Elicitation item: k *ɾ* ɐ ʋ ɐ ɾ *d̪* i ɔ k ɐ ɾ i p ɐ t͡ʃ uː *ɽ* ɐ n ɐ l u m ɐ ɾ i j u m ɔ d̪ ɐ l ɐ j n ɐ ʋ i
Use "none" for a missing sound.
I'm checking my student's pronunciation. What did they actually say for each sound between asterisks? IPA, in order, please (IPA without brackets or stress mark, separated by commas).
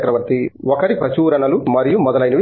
ɾ, t̪, ɾ